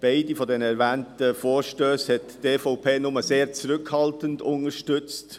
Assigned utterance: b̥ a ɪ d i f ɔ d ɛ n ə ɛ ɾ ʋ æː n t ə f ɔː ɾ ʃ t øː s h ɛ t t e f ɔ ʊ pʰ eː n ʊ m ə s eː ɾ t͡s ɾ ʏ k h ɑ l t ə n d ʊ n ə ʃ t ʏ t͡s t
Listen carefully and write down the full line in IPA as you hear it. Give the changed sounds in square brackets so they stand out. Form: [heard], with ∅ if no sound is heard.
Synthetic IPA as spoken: b̥ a ɪ d i f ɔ d ɛ n ə ɛ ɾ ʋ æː n t ə f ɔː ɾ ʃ t øː s h ɛ t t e f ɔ ʊ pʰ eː n ʊ m ə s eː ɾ t͡s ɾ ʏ k h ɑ l t ə n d ʊ n ə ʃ t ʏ t͡s t